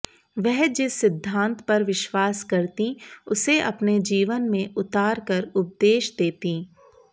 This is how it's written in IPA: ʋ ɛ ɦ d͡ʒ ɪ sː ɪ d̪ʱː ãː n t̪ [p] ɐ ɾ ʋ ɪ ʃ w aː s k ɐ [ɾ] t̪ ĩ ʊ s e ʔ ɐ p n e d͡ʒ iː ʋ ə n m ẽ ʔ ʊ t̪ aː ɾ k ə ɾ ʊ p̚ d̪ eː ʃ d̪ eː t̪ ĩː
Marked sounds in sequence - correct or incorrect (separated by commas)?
correct, correct